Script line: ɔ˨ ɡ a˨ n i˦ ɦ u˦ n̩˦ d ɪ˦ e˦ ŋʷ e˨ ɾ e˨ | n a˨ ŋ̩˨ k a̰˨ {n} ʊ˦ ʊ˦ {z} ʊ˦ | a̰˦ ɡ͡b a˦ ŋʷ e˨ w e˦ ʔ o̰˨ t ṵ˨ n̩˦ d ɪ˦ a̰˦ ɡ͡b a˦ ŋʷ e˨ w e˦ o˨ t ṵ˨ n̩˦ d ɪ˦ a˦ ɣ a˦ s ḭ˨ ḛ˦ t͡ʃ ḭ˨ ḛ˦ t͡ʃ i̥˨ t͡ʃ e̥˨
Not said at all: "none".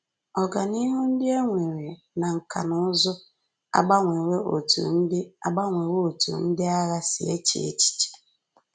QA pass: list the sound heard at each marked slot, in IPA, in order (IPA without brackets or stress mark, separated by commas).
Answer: n, z